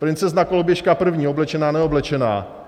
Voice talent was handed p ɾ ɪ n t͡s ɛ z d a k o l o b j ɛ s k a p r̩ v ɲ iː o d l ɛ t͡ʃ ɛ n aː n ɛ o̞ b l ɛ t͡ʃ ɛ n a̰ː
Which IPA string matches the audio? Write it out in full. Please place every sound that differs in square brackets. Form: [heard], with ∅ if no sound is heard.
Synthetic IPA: p ɾ ɪ n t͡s ɛ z [n] a k o l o b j ɛ [ʃ] k a p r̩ v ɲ iː o [b] l ɛ t͡ʃ ɛ n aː n ɛ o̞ b l ɛ t͡ʃ ɛ n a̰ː